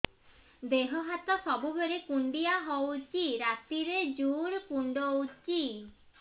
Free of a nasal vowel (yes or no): yes